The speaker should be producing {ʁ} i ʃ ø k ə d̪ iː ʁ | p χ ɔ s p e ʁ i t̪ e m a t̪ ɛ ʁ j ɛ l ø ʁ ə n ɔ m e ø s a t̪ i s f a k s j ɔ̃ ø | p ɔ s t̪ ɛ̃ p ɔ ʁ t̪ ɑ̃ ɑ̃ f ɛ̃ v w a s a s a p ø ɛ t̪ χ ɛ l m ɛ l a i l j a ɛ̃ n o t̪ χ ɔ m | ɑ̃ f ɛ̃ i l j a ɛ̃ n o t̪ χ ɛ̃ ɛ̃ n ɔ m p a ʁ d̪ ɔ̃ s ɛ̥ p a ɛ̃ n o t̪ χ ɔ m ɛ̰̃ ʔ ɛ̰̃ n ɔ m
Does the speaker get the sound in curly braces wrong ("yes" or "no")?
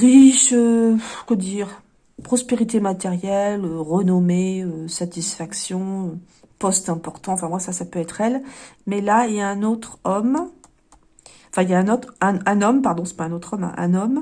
no